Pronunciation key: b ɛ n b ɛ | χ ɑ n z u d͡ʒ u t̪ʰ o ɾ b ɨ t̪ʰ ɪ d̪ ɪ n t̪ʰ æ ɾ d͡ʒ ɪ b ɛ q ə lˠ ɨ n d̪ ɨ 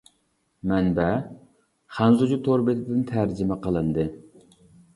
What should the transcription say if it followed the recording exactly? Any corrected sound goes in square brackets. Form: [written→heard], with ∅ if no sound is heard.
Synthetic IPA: [b→m] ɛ n b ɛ | χ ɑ n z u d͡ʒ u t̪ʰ o ɾ b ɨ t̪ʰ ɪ d̪ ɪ n t̪ʰ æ ɾ d͡ʒ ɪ [b→m] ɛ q ə lˠ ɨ n d̪ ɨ